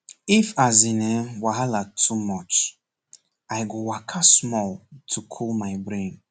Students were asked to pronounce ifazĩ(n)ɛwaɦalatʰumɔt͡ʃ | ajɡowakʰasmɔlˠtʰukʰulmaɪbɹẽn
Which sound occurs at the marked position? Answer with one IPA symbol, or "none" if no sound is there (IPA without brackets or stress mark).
n